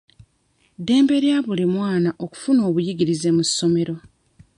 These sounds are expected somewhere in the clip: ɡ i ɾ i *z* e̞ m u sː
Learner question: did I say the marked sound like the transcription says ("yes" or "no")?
yes